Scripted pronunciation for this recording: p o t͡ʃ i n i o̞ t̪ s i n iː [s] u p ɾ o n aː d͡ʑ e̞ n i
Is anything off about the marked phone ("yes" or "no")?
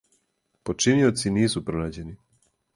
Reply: no